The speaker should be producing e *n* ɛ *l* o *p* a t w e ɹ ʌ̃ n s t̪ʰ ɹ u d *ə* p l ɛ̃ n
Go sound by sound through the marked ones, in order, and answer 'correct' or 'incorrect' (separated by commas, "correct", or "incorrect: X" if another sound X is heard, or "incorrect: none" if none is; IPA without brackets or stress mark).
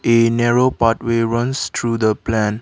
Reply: correct, incorrect: ɹ, correct, correct